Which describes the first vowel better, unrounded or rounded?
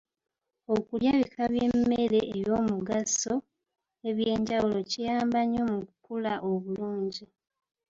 rounded